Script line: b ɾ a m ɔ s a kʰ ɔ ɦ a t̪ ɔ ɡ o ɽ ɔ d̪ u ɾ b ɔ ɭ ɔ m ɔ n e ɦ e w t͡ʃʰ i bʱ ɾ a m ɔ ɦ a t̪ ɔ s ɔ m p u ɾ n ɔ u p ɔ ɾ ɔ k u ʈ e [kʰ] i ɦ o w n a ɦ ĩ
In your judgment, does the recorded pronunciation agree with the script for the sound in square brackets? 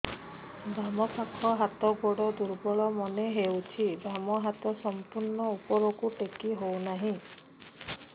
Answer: no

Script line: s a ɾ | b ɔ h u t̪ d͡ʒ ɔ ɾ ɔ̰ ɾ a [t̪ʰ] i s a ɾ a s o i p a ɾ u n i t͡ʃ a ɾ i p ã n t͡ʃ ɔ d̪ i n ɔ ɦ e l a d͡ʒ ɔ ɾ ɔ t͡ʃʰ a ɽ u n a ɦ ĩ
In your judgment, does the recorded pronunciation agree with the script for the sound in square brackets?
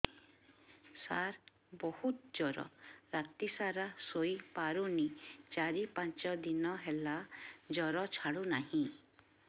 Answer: no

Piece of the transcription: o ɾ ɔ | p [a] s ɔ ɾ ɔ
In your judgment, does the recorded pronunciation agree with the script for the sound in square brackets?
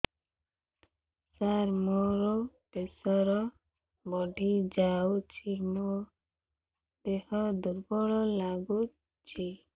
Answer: no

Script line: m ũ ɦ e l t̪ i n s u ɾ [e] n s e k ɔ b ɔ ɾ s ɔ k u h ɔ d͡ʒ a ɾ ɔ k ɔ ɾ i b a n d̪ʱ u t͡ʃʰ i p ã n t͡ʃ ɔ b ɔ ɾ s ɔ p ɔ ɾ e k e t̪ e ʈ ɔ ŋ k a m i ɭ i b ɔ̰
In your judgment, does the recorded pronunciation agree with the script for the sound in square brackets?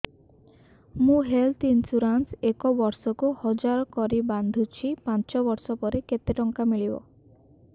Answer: no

